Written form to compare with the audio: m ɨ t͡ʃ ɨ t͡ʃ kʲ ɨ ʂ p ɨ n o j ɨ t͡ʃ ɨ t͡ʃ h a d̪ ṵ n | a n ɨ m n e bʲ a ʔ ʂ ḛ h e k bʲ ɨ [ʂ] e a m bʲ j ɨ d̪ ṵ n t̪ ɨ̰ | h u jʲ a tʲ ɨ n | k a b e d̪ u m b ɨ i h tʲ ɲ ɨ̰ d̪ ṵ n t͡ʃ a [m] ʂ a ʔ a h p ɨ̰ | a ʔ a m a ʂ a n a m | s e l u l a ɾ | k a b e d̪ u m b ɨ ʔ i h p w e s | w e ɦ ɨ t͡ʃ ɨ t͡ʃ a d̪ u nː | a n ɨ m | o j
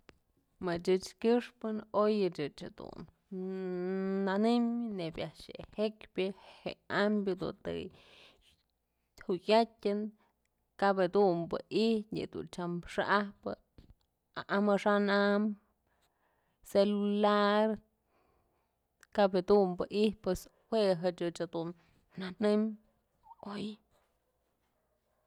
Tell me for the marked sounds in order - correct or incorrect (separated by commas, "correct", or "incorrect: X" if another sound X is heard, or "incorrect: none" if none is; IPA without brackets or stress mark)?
incorrect: h, correct